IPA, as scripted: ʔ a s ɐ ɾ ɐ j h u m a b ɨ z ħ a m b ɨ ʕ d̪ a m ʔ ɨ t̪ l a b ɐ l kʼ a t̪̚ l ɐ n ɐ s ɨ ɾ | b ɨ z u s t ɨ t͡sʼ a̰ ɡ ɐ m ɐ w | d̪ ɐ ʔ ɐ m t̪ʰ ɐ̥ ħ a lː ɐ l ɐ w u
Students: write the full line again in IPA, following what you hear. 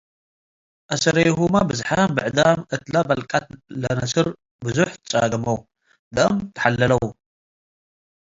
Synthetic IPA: ʔ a s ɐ ɾ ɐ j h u m a b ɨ z ħ a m b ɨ ʕ d̪ a m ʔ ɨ t̪ l a b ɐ l kʼ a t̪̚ l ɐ n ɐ s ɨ ɾ | b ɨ z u ħ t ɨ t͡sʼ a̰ ɡ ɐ m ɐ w | d̪ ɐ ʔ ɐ m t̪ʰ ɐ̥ ħ a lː ɐ l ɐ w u